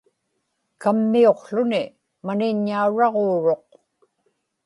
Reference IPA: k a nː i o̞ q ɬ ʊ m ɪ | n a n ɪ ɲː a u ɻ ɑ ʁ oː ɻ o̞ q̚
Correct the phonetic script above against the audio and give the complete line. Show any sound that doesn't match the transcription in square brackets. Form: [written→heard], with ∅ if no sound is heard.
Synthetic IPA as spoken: k a [nː→mː] i o̞ q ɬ ʊ [m→n] ɪ | [n→m] a n ɪ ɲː a u ɻ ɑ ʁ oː ɻ o̞ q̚